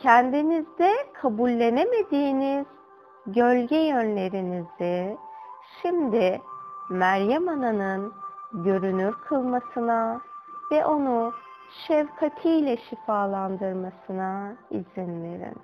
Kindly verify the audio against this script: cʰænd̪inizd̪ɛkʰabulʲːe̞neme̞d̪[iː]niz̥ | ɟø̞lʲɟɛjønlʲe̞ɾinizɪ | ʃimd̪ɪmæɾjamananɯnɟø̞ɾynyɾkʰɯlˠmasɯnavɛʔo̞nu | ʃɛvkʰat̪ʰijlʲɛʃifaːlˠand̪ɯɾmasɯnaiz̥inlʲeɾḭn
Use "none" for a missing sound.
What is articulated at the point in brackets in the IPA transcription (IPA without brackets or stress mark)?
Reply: iː